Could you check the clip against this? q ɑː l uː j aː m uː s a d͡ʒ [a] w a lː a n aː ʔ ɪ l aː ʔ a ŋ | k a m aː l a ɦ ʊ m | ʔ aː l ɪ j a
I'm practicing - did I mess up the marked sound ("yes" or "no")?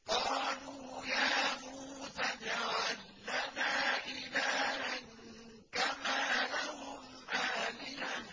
no